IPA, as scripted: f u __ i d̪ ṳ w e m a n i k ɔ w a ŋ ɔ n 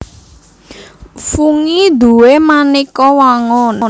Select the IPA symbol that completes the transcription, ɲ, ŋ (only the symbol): ŋ